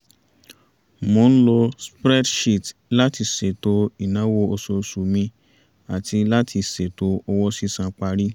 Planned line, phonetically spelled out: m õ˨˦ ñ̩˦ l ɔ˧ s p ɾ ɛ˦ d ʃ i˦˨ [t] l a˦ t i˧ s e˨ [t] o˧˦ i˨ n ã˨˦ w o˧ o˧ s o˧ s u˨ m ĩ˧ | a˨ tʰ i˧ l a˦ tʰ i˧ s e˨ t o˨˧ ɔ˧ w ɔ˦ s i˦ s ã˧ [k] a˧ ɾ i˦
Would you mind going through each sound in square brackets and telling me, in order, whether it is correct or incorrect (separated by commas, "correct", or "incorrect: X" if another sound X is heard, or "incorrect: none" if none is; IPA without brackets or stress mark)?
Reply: correct, correct, incorrect: k͡p